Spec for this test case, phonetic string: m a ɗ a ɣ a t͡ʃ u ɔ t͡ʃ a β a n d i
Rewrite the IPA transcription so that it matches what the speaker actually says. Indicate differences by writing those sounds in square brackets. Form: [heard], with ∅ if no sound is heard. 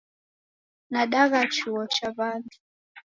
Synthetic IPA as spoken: [n] a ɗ a ɣ a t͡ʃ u ɔ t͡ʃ a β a n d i